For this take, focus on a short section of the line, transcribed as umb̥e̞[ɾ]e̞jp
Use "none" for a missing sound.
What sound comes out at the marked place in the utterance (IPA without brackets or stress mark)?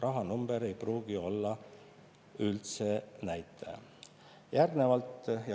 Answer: ɾ